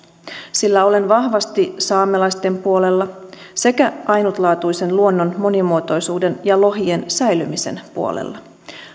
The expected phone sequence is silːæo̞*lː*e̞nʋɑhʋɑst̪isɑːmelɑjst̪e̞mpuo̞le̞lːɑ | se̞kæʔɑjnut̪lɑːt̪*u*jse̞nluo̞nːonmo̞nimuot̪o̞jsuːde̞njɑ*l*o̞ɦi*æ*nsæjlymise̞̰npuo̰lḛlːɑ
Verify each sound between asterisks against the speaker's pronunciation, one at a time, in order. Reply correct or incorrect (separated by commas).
incorrect, correct, correct, incorrect